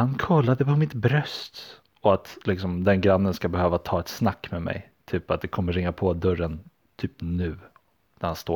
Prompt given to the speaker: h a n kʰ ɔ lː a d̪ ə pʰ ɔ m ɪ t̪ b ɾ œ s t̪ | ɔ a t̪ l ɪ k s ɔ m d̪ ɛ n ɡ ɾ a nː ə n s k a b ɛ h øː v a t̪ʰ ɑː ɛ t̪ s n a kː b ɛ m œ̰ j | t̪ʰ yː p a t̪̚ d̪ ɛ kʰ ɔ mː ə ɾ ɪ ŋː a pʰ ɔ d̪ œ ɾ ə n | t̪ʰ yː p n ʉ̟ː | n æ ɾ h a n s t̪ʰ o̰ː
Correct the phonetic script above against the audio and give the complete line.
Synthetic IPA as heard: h a n kʰ ɔ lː a d̪ ə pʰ ɔ m ɪ t̪ b ɾ œ s t̪ | ɔ a t̪ l ɪ k s ɔ m d̪ ɛ n ɡ ɾ a nː ə n s k a b ɛ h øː v a t̪ʰ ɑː ɛ t̪ s n a kː m ɛ m ɛ̰ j | t̪ʰ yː p a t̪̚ d̪ ɛ kʰ ɔ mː ə ɾ ɪ ŋː a pʰ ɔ d̪ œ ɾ ə n | t̪ʰ yː p n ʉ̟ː | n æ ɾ h a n s t̪ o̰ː